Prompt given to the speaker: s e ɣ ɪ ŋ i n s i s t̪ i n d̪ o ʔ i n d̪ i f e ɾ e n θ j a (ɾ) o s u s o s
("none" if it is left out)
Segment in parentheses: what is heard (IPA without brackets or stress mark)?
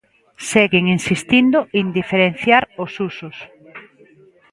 ɾ